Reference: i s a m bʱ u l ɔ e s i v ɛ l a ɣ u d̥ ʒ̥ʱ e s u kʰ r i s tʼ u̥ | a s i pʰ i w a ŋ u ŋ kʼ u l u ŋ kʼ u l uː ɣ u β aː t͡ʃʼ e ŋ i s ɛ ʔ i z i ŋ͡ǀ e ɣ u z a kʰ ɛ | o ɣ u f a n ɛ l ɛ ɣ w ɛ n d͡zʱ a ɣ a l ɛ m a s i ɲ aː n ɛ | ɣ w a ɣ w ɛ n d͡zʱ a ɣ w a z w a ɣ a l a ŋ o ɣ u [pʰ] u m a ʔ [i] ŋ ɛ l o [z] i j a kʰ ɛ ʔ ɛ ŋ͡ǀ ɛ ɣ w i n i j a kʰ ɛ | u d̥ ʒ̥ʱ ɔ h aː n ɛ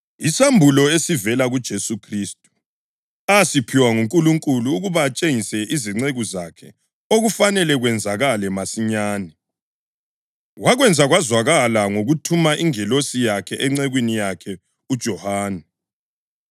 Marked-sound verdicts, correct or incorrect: incorrect, correct, incorrect

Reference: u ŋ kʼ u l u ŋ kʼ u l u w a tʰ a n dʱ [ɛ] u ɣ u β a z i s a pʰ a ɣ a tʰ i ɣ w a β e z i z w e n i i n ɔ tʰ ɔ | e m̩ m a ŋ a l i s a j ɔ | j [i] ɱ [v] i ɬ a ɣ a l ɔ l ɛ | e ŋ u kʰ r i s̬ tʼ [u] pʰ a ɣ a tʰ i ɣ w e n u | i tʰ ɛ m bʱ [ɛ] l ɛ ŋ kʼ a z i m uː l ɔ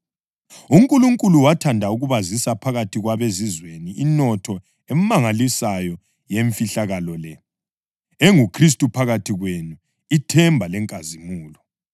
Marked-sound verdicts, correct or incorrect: incorrect, incorrect, incorrect, correct, incorrect

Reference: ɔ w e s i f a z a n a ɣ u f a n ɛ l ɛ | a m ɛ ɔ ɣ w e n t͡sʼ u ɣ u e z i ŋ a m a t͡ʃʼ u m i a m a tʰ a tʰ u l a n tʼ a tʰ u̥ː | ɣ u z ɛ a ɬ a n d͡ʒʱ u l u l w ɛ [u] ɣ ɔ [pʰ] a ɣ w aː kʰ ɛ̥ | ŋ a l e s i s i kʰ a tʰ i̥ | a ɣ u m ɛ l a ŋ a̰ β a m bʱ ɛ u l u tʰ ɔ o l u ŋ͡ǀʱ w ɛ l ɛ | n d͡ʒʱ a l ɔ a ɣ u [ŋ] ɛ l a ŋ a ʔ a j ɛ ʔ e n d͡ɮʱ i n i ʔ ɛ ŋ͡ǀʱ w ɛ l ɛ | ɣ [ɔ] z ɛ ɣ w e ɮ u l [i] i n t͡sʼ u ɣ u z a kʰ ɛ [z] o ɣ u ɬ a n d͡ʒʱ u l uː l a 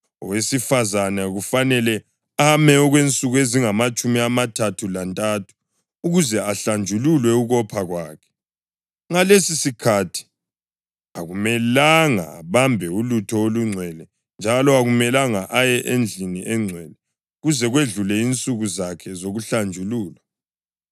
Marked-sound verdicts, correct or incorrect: correct, correct, incorrect, incorrect, incorrect, correct

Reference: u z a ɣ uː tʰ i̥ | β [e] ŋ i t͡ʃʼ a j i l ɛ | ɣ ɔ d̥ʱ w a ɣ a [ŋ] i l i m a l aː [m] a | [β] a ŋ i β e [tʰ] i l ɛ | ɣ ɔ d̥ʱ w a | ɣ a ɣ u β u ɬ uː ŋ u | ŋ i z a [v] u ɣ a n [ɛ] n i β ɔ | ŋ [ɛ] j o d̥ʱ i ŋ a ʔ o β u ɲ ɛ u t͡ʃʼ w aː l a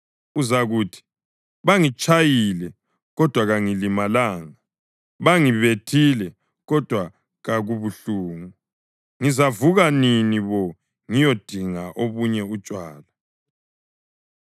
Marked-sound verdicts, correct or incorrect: incorrect, correct, incorrect, correct, correct, correct, incorrect, incorrect

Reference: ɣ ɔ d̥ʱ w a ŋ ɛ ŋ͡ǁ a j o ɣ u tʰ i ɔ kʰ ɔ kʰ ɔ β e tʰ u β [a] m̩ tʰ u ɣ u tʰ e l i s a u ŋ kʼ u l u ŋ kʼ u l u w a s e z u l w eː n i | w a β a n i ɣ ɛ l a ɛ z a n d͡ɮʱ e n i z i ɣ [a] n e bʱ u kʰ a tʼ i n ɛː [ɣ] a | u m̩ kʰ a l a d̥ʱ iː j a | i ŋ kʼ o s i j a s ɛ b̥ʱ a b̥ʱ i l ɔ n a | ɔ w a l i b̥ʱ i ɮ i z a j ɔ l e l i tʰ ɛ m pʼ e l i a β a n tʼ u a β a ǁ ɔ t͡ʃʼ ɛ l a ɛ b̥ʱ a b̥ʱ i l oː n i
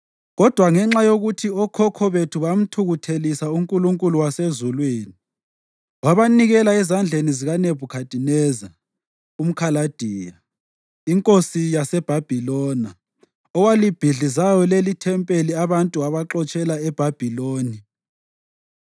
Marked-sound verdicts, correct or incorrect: correct, correct, incorrect

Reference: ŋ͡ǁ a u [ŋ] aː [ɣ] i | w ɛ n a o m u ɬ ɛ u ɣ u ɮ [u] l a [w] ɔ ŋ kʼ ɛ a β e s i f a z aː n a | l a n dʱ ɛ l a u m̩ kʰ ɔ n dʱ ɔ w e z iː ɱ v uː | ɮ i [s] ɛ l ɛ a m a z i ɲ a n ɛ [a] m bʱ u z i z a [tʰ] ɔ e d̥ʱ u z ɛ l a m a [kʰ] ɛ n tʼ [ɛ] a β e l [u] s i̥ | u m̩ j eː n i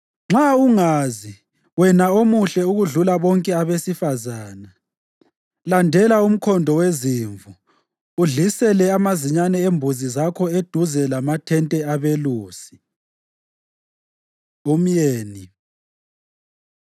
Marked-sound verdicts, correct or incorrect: correct, incorrect, correct, incorrect, correct, incorrect, incorrect, incorrect, correct, incorrect

